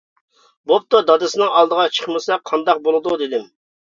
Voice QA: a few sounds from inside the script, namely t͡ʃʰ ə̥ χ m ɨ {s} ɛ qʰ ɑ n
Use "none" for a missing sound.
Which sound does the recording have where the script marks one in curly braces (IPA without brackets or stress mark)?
s